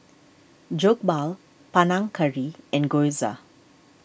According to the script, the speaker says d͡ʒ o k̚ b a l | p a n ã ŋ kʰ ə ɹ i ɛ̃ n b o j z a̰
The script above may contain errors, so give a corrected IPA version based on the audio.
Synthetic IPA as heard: d͡ʒ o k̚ b a l | p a n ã ŋ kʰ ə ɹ i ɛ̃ n ɡ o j z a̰